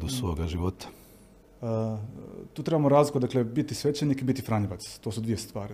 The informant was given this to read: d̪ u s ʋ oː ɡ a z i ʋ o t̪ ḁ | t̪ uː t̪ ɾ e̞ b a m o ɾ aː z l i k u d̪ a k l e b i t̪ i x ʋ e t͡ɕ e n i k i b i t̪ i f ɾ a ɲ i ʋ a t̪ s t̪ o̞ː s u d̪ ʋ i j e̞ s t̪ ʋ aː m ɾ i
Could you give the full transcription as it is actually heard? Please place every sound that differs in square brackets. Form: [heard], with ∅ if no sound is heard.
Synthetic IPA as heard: d̪ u s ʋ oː ɡ a [ʒ] i ʋ o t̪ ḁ | t̪ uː t̪ ɾ e̞ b a m o ɾ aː z l i k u d̪ a k l e b i t̪ i [s] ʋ e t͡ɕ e n i k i b i t̪ i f ɾ a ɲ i ʋ a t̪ s t̪ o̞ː s u d̪ ʋ i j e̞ s t̪ ʋ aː [∅] ɾ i